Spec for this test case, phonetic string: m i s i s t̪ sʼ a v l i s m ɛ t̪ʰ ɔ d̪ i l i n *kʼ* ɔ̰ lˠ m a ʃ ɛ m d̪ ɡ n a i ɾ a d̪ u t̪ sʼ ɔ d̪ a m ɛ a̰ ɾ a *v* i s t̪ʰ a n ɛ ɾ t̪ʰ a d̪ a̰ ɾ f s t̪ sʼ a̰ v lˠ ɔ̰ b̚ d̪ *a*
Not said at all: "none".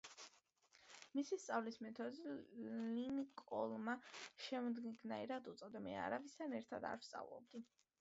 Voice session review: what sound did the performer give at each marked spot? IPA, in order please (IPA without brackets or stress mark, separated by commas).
kʼ, v, i